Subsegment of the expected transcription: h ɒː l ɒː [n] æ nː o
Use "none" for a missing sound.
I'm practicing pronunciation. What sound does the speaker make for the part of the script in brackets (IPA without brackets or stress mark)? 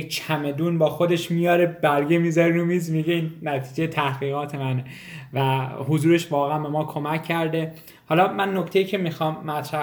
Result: m